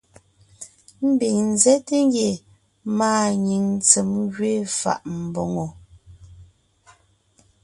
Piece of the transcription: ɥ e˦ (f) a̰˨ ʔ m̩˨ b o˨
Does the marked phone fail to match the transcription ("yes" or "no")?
no